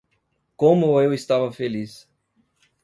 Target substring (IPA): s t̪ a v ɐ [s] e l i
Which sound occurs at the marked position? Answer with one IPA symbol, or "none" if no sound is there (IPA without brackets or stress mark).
f